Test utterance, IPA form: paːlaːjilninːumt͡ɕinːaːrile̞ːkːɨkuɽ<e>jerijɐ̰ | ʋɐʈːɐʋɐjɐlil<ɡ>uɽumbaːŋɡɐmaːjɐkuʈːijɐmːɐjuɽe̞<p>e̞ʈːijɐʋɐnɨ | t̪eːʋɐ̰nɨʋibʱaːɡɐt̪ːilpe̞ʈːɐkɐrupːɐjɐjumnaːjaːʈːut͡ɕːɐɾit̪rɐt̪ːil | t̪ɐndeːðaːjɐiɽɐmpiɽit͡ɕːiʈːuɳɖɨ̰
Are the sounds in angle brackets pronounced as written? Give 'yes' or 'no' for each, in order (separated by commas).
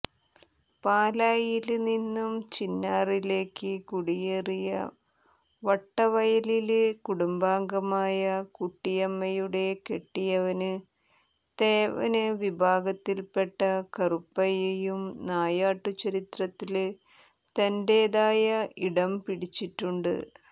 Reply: no, no, no